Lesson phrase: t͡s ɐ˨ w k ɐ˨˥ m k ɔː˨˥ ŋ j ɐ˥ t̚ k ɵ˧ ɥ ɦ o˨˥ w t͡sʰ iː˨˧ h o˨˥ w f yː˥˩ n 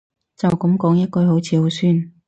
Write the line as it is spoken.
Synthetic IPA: t͡s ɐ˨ w k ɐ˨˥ m k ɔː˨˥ ŋ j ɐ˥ t̚ k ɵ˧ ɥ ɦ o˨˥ w t͡sʰ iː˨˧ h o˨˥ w s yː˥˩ n